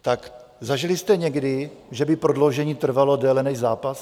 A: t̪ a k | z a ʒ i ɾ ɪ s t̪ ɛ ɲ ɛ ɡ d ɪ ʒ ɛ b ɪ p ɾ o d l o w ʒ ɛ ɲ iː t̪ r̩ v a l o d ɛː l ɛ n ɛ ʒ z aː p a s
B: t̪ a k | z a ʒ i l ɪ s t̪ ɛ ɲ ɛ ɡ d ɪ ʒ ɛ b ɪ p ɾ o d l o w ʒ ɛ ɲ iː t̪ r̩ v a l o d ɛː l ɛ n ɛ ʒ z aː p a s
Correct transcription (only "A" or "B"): B